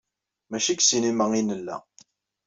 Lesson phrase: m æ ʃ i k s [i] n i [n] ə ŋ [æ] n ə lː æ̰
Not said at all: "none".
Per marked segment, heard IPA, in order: i, m, i

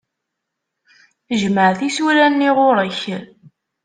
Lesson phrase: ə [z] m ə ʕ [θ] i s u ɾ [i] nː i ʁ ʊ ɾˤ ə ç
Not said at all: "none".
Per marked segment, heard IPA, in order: ʒ, θ, æ

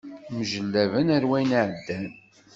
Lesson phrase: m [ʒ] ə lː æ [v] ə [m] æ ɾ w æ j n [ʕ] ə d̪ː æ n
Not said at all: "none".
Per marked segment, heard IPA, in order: ʒ, v, n, ʕ

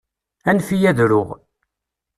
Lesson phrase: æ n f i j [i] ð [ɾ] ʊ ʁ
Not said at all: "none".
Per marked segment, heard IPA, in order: æ, ɾ

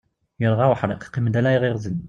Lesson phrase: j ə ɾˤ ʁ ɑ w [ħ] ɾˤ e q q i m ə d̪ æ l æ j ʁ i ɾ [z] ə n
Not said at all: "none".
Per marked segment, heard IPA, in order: ħ, z

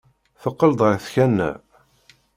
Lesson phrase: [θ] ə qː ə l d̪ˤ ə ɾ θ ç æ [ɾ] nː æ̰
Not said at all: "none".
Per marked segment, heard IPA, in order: θ, none

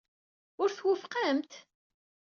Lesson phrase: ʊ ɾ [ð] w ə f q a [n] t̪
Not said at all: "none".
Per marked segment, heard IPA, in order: θ, m

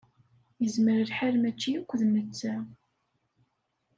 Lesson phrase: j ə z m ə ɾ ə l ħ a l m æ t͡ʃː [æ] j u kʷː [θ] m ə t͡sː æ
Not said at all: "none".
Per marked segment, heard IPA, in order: i, ð

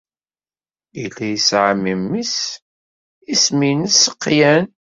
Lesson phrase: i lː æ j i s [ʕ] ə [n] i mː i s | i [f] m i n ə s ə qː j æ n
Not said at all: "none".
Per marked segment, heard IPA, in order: ʕ, m, s

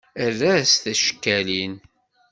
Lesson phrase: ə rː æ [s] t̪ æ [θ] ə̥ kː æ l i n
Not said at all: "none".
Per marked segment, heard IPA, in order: s, ʃ

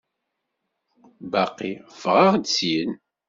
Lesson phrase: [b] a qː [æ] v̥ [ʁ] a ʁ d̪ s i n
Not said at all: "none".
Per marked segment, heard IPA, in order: b, i, ʁ

